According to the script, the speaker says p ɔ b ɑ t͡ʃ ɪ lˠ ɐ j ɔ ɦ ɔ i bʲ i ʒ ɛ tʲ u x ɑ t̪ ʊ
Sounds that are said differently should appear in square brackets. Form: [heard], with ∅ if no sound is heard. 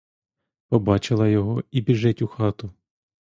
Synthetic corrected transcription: p ɔ b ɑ t͡ʃ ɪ lˠ ɐ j ɔ ɦ ɔ i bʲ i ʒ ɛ tʲ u x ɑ t̪ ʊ